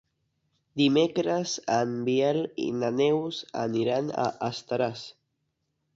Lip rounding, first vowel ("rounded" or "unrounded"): unrounded